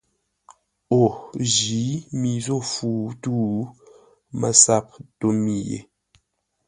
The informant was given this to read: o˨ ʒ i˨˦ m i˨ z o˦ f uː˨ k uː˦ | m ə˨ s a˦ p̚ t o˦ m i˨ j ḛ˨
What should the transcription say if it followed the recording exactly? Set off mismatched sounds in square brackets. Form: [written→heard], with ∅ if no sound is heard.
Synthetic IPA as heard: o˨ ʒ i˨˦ m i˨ z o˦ f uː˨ [k→t] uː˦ | m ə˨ s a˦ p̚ t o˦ m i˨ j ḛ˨